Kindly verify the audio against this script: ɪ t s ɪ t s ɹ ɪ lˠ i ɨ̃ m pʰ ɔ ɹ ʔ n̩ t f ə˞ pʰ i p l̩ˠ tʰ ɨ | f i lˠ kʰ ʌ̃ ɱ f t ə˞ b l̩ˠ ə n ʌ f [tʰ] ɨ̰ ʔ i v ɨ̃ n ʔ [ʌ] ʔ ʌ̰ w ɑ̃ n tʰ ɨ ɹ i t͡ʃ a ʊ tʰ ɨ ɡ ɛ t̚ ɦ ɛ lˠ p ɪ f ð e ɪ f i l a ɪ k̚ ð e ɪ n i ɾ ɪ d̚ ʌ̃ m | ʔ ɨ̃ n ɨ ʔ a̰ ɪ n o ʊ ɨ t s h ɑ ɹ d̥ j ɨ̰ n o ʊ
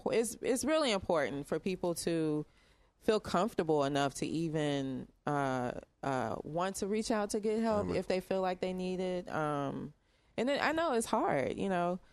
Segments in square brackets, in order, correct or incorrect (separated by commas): correct, correct